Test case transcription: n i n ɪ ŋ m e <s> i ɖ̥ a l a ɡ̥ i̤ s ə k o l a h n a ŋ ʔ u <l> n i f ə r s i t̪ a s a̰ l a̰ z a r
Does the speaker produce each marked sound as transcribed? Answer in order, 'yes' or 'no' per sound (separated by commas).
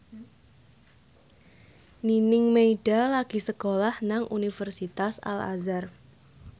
no, no